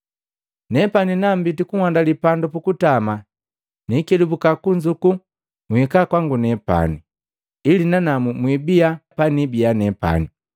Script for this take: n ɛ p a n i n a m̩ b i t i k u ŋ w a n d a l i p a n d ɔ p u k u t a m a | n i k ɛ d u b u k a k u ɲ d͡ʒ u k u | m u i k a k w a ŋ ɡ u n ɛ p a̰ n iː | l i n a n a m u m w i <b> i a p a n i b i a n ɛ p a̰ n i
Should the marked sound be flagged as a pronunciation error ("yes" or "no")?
no